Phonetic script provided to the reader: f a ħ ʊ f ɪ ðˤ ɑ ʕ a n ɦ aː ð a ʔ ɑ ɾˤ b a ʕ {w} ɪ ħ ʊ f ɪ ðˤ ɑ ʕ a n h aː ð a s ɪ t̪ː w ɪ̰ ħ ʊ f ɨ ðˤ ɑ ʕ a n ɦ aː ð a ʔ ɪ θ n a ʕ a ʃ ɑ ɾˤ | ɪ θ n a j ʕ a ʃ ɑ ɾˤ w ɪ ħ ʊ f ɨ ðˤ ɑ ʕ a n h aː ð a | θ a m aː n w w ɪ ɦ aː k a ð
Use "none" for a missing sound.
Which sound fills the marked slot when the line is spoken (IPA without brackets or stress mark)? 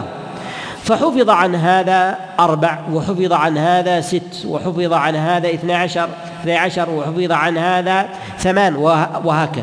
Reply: w